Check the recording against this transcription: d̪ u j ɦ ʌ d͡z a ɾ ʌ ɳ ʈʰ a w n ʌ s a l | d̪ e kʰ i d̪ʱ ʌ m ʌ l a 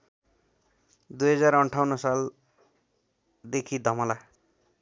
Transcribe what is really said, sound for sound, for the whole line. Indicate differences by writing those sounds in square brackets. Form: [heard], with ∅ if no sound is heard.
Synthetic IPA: d̪ u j ɦ ʌ d͡z a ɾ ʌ ɳ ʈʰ a w n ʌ s a l | d̪ e kʰ i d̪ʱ ʌ m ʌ l a